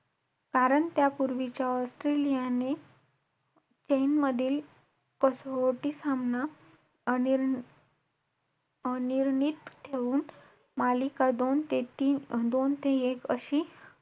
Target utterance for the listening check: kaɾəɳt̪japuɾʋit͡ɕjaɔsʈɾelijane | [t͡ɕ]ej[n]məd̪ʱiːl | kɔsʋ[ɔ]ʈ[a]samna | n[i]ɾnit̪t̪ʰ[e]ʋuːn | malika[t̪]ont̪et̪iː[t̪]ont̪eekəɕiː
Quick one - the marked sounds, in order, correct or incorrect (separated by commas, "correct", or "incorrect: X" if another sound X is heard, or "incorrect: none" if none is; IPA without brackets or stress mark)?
correct, correct, incorrect: o, incorrect: i, correct, correct, incorrect: d̪, incorrect: d̪